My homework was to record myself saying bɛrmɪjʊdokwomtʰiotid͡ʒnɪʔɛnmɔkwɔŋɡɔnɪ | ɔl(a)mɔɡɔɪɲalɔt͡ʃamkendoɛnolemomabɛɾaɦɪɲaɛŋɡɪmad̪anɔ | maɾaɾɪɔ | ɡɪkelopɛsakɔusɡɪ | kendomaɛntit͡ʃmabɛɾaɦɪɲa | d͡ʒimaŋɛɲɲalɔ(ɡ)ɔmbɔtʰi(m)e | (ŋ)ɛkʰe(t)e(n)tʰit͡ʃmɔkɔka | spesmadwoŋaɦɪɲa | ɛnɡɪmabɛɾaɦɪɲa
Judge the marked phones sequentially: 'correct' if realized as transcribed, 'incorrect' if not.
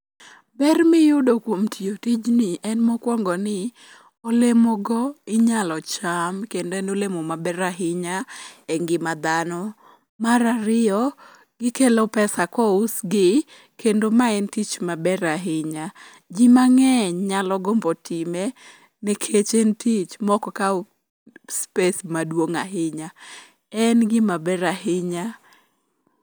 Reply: incorrect, correct, correct, incorrect, incorrect, correct

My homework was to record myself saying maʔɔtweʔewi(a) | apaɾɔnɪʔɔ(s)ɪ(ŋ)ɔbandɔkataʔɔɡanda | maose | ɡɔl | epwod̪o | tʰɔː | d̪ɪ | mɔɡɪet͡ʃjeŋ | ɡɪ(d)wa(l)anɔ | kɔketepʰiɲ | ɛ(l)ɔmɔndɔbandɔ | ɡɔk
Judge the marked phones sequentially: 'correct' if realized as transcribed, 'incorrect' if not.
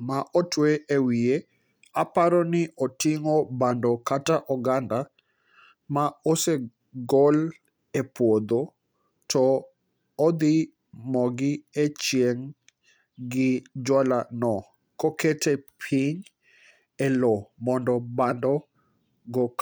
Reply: incorrect, incorrect, correct, incorrect, correct, correct

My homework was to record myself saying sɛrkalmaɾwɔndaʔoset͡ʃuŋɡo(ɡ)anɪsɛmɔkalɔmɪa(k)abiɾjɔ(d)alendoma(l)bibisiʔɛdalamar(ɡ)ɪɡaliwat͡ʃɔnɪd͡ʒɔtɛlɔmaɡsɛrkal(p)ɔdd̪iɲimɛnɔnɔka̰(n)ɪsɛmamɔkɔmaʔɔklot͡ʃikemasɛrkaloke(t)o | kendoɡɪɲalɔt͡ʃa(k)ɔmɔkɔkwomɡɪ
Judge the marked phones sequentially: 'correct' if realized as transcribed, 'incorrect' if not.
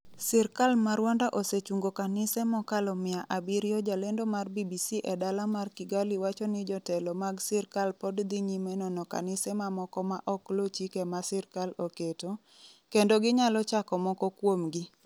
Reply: incorrect, incorrect, incorrect, incorrect, incorrect, correct, correct, correct, correct

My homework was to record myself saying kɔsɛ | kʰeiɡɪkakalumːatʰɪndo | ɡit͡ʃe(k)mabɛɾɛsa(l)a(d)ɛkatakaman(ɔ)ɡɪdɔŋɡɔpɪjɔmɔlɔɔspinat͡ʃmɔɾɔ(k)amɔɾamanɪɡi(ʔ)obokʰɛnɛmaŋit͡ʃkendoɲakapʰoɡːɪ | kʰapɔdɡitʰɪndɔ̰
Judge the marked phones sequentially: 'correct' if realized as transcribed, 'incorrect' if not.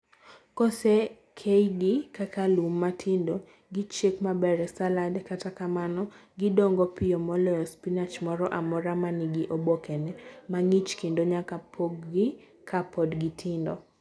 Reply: correct, correct, correct, correct, incorrect, correct

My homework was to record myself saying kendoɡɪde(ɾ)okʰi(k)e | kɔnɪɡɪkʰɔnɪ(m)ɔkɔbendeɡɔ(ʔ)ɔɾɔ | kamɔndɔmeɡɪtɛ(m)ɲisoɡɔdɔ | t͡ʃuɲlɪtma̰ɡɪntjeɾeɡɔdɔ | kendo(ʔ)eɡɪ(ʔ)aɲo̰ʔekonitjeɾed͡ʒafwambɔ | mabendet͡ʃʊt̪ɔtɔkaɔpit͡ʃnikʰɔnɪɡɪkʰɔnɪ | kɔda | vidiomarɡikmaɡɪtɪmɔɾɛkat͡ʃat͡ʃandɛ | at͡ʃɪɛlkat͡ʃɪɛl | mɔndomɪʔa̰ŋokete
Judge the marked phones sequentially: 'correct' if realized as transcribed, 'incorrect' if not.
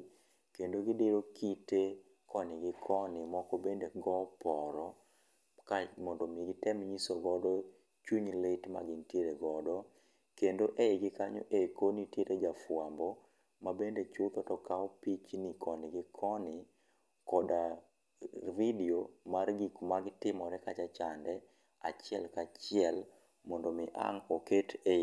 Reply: correct, incorrect, correct, incorrect, correct, correct, incorrect

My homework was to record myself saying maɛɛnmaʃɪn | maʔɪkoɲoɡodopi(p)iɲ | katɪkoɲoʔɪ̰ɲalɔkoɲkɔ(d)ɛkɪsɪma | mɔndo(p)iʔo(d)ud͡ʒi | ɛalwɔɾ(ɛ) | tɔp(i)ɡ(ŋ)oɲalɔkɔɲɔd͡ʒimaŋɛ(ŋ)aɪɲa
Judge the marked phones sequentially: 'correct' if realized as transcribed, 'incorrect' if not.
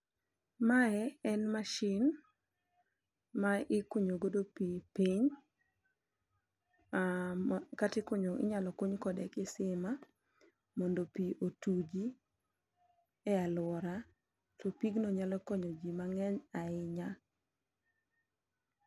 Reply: correct, correct, correct, incorrect, incorrect, correct, incorrect, incorrect

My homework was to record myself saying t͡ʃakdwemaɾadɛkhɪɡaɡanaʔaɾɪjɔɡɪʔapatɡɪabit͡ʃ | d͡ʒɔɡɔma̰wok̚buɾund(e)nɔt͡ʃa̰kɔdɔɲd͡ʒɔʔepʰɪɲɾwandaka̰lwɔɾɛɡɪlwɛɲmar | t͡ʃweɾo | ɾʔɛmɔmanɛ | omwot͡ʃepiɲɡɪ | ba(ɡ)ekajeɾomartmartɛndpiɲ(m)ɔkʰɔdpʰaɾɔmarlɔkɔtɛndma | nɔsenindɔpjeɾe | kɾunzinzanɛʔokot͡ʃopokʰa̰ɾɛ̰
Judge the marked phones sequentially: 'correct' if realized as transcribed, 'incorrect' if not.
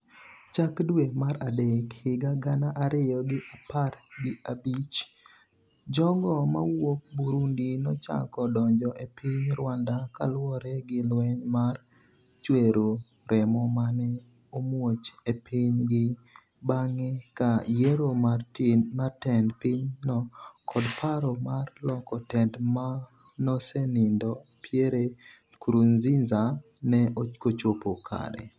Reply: incorrect, incorrect, incorrect

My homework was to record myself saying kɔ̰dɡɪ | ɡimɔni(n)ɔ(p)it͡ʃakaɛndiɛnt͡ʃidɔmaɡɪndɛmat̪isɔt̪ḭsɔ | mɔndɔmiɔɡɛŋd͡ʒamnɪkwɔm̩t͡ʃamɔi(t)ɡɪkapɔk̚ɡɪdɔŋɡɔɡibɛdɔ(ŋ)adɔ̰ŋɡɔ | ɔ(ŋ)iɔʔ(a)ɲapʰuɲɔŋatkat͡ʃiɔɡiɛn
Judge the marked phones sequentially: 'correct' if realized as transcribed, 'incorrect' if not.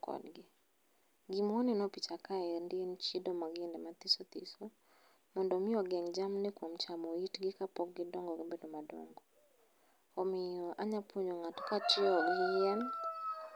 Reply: correct, correct, correct, incorrect, incorrect, correct

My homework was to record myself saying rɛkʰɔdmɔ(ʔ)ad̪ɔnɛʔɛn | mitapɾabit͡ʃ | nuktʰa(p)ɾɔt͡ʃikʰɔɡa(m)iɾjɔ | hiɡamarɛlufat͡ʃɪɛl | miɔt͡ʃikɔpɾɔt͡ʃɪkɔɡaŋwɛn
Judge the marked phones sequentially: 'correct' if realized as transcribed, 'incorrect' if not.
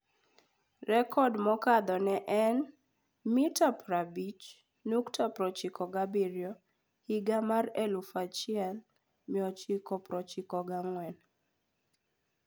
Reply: incorrect, correct, incorrect

